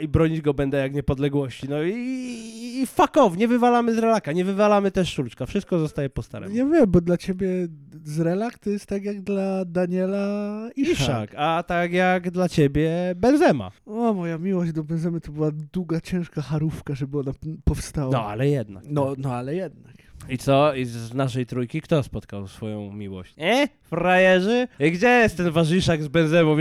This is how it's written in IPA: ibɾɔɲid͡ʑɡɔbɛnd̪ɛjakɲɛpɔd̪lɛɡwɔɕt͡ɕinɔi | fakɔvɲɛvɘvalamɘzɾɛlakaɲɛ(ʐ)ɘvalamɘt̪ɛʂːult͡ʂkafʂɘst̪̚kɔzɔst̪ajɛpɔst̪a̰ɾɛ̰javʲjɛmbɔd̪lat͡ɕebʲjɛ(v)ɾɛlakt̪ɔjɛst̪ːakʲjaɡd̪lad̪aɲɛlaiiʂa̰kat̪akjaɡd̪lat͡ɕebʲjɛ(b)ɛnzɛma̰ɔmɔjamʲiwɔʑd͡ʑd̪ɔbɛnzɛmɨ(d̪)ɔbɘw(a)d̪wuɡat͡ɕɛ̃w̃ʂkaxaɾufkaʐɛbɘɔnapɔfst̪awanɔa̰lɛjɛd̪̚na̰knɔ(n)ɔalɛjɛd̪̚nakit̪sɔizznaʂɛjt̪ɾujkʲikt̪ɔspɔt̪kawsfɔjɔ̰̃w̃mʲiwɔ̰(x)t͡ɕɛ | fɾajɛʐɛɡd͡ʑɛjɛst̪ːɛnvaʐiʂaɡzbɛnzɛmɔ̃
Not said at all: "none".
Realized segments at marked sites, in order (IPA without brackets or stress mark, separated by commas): v, z, b, t̪, a, n, ɕ